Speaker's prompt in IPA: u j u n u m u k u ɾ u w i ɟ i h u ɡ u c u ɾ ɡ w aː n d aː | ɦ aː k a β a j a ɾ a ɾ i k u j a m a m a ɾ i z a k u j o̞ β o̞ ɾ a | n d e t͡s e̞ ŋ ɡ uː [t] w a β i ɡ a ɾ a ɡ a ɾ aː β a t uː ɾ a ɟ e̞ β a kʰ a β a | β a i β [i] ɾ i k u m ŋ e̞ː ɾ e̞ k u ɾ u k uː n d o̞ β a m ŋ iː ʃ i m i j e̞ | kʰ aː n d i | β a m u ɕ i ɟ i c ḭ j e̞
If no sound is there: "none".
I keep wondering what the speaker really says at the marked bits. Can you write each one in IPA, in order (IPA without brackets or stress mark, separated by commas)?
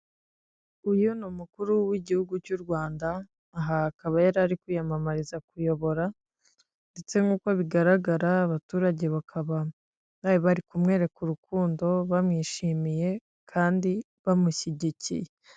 k, a